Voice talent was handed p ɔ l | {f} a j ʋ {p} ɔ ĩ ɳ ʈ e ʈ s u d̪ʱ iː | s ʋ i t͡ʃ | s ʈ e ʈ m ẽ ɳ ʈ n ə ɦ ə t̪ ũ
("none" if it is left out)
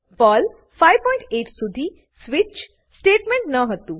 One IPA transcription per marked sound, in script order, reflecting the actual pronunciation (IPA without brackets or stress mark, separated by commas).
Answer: f, p